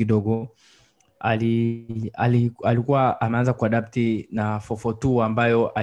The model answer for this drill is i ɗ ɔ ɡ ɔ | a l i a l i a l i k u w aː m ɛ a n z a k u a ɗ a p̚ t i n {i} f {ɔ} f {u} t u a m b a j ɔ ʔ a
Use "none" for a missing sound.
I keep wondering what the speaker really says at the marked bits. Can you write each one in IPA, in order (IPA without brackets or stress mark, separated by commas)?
a, ɔ, ɔ